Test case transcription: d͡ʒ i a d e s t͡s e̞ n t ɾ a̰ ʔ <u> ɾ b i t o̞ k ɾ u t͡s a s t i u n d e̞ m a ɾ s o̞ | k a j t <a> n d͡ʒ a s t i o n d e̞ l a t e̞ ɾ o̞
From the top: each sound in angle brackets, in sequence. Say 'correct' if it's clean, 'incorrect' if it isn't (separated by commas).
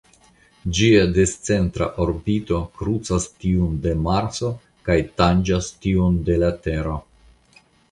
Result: incorrect, correct